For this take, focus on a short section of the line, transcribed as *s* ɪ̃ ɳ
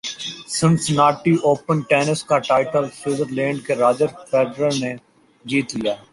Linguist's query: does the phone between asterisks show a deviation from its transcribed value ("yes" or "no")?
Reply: no